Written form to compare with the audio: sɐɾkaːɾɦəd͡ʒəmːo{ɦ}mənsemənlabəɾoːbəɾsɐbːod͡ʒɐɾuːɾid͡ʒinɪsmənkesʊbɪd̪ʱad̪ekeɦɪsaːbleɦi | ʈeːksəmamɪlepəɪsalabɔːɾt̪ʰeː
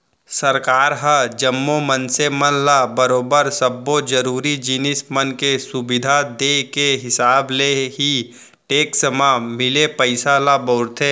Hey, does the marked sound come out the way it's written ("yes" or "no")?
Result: no